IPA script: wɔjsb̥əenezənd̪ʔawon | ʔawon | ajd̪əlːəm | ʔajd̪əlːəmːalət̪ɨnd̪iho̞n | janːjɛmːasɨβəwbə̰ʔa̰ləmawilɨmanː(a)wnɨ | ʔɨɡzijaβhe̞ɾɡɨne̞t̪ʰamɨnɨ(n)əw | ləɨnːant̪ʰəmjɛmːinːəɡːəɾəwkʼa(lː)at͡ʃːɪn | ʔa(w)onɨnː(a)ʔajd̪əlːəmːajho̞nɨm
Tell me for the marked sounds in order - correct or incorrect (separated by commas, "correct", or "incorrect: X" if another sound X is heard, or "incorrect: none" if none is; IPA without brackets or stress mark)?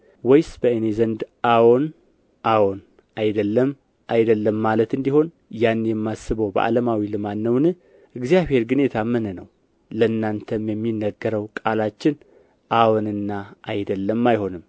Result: incorrect: ə, correct, incorrect: l, correct, correct